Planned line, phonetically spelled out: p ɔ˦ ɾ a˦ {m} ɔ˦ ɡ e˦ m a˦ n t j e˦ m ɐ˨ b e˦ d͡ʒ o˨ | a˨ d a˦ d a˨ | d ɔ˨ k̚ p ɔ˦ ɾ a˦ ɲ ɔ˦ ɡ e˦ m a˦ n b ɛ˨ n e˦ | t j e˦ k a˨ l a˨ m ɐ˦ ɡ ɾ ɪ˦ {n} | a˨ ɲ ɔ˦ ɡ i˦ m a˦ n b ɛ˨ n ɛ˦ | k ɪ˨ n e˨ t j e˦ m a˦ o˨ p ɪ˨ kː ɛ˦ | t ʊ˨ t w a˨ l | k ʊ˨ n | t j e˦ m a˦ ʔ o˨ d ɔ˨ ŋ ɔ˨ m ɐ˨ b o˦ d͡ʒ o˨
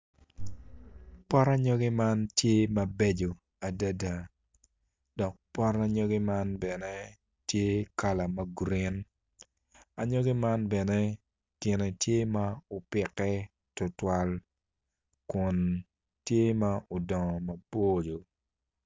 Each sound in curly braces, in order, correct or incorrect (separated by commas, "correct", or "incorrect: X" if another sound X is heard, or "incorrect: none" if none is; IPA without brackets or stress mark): incorrect: ɲ, correct